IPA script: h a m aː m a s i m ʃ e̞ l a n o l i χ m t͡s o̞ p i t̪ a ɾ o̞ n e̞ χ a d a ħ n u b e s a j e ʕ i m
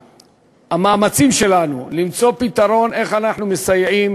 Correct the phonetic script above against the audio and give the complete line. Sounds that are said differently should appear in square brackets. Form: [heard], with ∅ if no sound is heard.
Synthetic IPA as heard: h a m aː m a [t͡s] i m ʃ e̞ l a n [u] l i [∅] m t͡s o̞ p i t̪ a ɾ o̞ n e̞ χ a [n] a ħ n u [m] e s a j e ʕ i m